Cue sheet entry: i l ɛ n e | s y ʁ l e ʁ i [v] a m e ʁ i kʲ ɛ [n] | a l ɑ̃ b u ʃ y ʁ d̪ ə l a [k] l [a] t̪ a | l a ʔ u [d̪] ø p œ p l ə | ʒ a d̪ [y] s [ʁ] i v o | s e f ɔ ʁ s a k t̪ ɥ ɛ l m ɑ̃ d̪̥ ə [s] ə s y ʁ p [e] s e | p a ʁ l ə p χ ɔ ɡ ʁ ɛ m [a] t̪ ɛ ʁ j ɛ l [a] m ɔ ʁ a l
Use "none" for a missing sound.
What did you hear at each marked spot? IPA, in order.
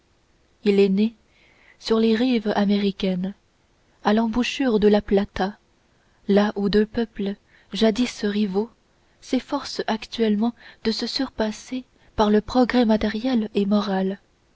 v, n, p, a, d̪, i, ʁ, s, a, a, e

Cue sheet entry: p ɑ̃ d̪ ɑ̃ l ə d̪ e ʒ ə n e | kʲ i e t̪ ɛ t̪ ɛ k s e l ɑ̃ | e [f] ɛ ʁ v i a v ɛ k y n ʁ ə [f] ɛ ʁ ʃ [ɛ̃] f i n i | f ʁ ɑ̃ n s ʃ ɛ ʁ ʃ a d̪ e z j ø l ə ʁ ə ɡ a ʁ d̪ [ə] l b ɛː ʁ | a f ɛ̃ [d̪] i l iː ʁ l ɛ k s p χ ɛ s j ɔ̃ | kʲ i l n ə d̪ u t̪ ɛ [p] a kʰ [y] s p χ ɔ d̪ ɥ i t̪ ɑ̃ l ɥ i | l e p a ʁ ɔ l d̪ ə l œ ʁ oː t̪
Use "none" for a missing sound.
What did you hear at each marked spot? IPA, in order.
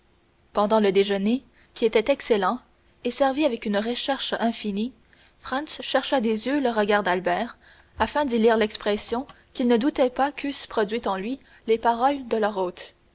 s, ʃ, ɛ̃, a, d̪, p, y

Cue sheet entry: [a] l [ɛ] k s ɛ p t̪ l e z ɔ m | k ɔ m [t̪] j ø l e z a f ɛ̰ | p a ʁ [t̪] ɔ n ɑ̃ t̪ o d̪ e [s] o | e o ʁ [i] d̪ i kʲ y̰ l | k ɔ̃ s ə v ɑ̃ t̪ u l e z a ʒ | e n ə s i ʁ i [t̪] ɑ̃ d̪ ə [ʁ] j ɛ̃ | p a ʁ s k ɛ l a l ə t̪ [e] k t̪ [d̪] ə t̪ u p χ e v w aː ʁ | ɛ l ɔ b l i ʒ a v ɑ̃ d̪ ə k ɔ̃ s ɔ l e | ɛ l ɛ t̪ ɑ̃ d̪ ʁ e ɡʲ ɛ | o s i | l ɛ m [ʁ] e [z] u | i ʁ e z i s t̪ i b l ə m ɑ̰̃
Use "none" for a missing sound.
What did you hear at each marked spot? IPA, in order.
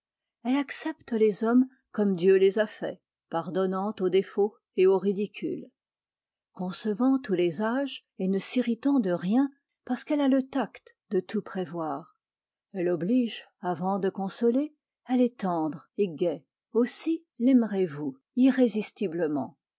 ɛ, a, d̪, d̪, f, i, t̪, ʁ, a, d̪, ʁ, v

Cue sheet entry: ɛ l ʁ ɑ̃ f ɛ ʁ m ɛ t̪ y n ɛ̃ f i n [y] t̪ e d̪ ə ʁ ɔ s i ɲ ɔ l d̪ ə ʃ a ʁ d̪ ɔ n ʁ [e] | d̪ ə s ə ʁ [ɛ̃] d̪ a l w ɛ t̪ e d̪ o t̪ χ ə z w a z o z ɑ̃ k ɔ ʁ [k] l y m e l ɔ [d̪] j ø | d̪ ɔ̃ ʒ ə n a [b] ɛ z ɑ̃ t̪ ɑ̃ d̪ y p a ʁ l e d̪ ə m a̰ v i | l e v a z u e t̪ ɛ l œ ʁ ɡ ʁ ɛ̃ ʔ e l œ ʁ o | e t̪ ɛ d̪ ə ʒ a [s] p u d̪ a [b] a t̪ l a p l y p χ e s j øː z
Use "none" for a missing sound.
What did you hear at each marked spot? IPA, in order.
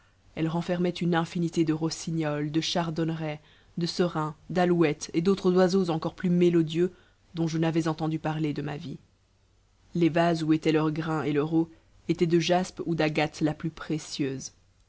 i, ɛ, ɛ̃, p, d̪, v, s, ɡ

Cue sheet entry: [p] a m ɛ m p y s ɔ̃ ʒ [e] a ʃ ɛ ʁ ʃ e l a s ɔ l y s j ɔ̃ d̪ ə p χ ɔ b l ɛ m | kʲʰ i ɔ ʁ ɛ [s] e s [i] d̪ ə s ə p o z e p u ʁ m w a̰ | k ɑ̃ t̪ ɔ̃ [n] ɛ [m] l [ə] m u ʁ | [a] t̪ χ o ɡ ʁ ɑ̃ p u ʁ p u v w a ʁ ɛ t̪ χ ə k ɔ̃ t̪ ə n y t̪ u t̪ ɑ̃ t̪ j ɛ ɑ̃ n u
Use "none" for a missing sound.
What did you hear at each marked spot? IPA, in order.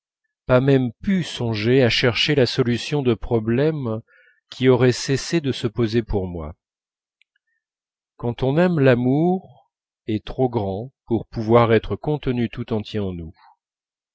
p, e, s, e, n, m, a, ɛ

